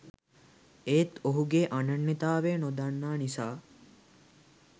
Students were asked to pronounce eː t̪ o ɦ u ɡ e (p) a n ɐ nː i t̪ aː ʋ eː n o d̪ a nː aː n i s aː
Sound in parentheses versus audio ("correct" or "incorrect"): incorrect